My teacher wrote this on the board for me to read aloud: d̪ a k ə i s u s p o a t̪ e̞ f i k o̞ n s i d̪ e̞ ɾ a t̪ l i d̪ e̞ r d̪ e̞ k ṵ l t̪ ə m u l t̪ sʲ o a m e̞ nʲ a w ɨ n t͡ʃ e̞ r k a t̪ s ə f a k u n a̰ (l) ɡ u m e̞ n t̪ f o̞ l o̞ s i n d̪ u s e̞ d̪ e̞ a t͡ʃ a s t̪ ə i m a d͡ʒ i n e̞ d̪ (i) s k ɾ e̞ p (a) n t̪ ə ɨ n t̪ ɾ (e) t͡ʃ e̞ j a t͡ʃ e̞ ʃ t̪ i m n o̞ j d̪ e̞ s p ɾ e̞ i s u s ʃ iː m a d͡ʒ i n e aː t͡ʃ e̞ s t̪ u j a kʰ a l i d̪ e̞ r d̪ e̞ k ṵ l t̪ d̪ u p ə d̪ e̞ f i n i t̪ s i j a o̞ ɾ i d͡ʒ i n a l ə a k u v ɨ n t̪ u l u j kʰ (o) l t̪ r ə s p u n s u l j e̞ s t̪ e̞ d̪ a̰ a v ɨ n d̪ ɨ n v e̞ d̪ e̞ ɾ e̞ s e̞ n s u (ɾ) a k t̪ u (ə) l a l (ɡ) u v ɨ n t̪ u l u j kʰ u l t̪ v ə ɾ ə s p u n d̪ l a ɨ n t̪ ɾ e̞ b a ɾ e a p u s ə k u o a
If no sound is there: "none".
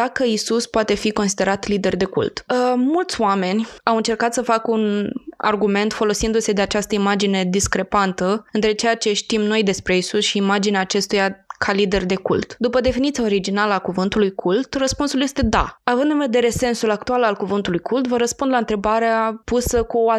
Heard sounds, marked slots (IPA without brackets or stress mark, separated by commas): r, i, a, e, u, l, a, k